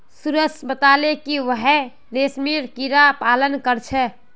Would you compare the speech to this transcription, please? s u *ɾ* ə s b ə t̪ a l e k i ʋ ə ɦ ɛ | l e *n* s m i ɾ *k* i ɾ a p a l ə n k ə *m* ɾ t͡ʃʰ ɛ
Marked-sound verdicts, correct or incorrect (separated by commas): correct, incorrect, correct, incorrect